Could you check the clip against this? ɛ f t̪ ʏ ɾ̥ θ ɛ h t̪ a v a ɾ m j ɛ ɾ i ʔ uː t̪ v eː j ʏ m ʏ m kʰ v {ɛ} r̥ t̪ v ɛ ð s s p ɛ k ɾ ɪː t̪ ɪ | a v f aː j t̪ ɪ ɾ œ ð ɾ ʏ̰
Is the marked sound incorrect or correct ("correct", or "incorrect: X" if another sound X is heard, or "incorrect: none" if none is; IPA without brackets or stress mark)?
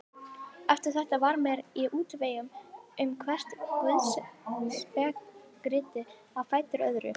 correct